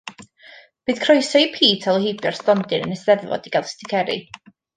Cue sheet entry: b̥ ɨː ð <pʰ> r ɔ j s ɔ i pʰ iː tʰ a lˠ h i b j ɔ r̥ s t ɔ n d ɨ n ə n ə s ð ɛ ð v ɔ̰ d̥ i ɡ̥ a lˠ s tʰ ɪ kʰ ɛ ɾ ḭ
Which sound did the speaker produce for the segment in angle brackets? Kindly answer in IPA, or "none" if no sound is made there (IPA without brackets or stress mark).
kʰ